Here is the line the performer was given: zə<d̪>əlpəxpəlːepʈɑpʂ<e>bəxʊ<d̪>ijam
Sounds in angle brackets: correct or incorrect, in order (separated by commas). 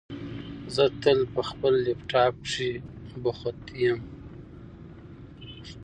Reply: incorrect, incorrect, incorrect